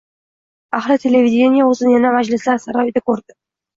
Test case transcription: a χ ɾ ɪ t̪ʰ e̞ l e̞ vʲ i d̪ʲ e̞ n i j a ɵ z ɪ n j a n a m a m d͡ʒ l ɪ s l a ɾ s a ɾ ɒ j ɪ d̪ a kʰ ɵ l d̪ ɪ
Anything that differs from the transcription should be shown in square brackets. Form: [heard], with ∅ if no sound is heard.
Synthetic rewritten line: a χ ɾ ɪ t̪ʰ e̞ l e̞ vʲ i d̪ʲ e̞ n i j a ɵ z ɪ n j a n a m a [∅] d͡ʒ l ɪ s l a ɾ s a ɾ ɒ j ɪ d̪ a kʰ ɵ [ɾ] d̪ ɪ